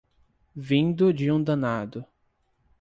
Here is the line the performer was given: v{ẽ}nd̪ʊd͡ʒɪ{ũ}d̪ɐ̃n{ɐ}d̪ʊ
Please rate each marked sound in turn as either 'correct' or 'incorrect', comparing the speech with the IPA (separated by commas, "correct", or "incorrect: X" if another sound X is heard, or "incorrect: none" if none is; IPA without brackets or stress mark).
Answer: incorrect: ĩ, correct, incorrect: a